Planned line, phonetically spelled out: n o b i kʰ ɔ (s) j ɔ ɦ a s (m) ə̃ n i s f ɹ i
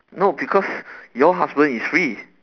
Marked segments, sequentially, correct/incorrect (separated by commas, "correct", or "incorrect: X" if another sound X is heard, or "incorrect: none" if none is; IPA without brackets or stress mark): correct, incorrect: b